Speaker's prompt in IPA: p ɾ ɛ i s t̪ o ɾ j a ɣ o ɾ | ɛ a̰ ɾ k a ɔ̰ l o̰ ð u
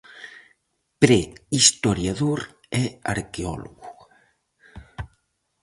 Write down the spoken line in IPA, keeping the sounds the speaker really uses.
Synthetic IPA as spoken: p ɾ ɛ i s t̪ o ɾ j a ð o ɾ | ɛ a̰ ɾ k e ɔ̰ l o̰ ɣ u